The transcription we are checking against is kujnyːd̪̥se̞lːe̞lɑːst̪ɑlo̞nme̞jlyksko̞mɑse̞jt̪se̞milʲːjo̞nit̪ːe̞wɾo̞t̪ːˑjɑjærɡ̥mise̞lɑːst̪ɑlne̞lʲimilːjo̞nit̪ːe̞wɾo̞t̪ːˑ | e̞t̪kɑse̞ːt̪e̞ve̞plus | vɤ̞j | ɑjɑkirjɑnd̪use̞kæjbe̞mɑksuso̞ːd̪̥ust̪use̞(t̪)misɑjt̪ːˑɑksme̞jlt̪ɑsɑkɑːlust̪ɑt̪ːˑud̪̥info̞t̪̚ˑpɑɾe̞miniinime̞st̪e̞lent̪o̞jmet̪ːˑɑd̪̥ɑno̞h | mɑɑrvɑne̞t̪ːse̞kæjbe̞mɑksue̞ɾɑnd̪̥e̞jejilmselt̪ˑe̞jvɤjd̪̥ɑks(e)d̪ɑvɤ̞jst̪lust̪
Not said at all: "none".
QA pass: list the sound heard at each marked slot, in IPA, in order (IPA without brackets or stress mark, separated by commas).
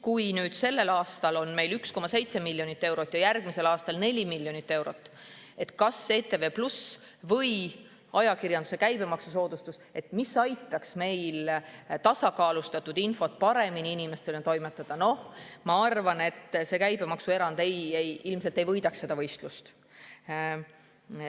t̪, e